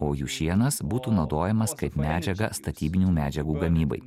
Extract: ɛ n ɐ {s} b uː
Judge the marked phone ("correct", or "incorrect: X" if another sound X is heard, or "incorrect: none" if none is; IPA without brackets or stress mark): correct